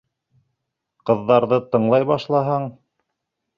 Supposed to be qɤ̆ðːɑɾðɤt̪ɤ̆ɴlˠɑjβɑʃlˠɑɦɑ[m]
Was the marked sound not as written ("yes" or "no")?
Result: yes